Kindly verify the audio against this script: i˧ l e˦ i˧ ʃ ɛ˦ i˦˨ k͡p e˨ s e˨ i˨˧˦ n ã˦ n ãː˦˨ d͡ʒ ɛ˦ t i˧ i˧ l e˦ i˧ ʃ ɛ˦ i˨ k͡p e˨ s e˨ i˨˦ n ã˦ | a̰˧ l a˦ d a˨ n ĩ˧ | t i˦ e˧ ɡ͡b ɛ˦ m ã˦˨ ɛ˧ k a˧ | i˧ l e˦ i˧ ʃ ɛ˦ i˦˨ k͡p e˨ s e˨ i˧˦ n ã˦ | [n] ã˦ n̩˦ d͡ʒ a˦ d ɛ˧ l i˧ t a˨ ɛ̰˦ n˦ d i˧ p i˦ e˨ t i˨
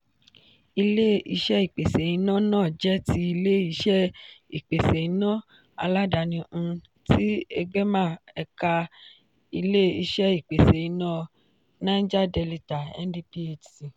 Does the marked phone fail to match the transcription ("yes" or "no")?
no